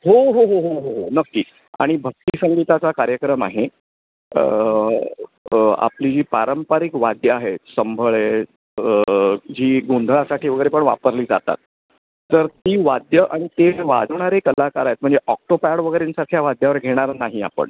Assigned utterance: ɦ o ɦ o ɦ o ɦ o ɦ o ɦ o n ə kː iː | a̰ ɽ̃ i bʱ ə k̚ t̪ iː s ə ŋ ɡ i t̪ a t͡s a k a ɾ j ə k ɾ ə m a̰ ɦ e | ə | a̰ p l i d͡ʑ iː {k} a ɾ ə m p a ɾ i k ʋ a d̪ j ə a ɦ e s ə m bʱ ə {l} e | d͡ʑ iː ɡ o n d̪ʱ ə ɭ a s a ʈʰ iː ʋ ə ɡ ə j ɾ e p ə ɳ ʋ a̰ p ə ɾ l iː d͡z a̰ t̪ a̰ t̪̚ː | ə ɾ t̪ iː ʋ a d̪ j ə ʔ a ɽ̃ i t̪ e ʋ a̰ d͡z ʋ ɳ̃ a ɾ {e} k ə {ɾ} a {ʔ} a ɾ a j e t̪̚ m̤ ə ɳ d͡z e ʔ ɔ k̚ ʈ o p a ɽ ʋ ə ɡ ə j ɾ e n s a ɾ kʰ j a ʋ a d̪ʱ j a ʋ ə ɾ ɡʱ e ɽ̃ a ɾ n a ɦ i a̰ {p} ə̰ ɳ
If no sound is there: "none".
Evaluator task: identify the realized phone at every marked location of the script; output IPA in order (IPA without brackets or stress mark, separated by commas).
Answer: p, ɭ, e, l, k, p